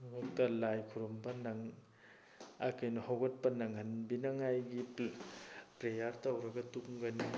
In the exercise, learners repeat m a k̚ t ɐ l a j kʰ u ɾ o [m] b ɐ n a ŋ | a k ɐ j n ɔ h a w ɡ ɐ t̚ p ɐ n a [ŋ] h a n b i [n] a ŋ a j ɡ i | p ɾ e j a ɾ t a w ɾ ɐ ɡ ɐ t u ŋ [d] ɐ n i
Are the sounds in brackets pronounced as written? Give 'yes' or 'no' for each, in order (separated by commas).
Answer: yes, yes, yes, no